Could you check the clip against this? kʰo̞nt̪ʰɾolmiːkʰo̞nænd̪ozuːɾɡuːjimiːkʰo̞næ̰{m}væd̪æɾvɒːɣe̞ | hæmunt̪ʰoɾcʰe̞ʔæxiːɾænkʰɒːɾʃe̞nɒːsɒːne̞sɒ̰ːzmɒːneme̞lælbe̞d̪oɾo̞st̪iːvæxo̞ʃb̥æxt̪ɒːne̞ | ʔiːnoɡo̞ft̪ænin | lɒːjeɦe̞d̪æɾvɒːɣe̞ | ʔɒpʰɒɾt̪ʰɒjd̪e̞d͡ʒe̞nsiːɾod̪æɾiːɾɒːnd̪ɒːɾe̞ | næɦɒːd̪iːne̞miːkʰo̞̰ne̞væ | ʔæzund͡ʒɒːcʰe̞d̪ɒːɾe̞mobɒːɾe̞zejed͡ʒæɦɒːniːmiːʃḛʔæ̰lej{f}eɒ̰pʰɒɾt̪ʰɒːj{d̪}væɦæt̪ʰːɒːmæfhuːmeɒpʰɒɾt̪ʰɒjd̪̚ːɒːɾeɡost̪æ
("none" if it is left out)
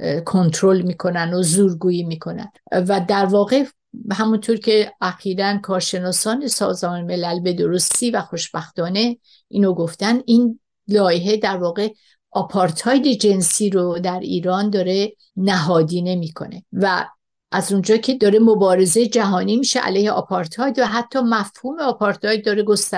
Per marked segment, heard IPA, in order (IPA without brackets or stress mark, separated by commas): n, h, d̪